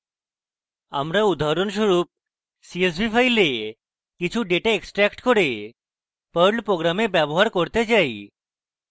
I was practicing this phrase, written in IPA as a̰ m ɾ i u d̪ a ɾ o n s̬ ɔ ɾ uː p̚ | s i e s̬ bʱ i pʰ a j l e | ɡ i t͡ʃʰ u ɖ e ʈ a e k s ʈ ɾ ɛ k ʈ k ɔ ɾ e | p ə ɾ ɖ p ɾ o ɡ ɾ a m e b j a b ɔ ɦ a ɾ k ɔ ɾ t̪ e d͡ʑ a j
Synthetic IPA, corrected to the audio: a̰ m ɾ a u d̪ a ɾ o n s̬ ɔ ɾ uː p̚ | s i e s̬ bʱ i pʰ a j l e | k i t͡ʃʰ u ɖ e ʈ a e k s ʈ ɾ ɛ k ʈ k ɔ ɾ e | p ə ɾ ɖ p ɾ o ɡ ɾ a m e b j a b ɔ ɦ a ɾ k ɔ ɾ t̪ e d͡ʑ a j

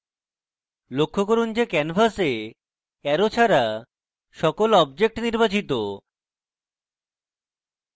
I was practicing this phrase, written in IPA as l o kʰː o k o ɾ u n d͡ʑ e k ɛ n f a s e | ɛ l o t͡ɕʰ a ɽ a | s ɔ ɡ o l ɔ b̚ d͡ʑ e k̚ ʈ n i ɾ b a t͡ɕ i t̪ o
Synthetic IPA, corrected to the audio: l o kʰː o k o ɾ u n d͡ʑ e k ɛ n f a s e | ɛ ɾ o t͡ɕʰ a ɾ a | ʃ ɔ k o l ɔ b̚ d͡ʑ e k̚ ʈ n i ɾ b a t͡ɕ i t̪ o

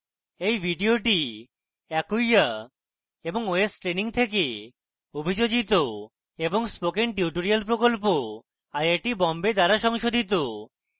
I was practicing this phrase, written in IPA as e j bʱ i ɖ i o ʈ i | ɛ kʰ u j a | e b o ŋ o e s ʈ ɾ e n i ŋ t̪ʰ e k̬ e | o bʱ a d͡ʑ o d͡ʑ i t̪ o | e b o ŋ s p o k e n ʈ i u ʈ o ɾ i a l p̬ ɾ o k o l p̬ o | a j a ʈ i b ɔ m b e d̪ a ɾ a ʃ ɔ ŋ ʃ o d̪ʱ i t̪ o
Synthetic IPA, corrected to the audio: e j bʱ i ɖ i o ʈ i | ɛ k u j a | e b o ŋ o e s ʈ ɾ e n i ŋ t̪ʰ e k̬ e | o bʱ i d͡ʑ o d͡ʑ i t̪ o | e b o ŋ s p o k e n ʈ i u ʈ o ɾ i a l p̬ ɾ o k o l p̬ o | a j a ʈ i b ɔ m b e d̪ a ɾ a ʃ ɔ ŋ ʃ o d̪ʱ i t̪ o

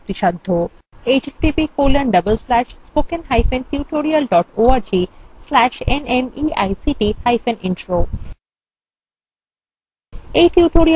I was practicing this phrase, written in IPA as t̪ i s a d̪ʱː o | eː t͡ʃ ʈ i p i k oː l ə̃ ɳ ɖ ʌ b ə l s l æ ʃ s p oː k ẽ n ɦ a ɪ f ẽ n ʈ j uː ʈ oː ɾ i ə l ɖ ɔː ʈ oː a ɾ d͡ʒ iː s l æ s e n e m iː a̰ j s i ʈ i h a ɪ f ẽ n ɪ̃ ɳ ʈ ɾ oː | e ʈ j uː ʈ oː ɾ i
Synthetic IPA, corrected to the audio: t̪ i ʃ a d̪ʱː o | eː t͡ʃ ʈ i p i k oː l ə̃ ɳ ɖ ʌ b ə l s l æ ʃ s p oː k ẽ n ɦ a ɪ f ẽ n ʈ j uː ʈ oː ɾ i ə l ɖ ɔː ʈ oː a ɾ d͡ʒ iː s l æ ʃ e n e m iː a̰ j s i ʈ i h a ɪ f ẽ n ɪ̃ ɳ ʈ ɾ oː | e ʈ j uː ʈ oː ɾ i

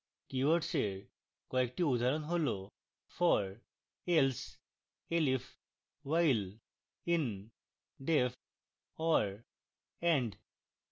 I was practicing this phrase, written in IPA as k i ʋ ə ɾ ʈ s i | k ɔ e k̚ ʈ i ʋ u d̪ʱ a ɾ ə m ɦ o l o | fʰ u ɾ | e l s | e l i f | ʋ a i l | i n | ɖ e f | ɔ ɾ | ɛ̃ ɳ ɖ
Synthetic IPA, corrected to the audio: k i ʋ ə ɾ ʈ s e | k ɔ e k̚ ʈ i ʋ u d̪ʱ a ɾ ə n ɦ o l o | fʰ ɔ ɾ | e l s | e l i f | ʋ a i l | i n | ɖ e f | ɔ ɾ | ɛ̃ ɳ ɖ

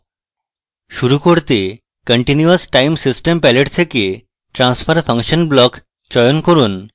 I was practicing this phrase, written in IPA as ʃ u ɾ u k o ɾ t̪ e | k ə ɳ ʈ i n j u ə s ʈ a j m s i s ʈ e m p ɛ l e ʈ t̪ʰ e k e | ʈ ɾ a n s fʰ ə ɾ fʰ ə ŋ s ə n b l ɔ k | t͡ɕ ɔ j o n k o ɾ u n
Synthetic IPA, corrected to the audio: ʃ u ɾ u k o ɾ t̪ e | k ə ɳ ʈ i n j u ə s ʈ a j m s i s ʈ e m p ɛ l e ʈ t̪ʰ e k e | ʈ ɾ a n s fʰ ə ɾ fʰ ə ŋ ʃ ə n b l ɔ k | t͡ɕ ɔ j o n k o ɾ u n

